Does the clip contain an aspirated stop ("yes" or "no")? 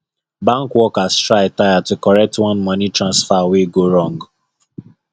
no